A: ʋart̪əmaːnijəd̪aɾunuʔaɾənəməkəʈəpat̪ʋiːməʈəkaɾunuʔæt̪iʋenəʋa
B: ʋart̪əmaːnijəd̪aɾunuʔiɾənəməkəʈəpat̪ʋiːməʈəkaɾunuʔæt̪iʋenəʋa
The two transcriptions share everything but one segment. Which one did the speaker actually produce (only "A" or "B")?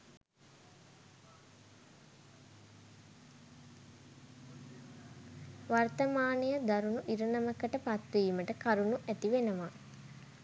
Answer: B